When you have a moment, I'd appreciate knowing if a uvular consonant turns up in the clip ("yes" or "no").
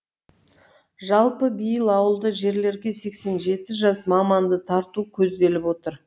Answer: no